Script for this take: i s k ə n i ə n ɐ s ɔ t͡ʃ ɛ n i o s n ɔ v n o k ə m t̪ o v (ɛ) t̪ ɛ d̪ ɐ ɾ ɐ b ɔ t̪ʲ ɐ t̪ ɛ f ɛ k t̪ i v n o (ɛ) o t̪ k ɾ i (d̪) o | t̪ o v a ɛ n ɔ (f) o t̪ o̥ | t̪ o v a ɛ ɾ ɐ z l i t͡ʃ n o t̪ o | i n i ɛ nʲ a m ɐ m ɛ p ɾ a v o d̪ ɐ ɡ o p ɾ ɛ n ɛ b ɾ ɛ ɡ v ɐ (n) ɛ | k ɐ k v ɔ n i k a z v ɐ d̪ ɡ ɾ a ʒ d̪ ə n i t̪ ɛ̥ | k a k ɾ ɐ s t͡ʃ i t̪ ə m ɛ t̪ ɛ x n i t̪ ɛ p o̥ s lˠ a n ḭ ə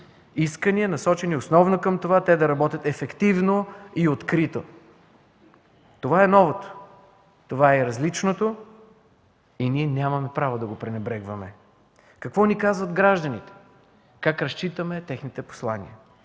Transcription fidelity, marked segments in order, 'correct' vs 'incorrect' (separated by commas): incorrect, incorrect, incorrect, incorrect, incorrect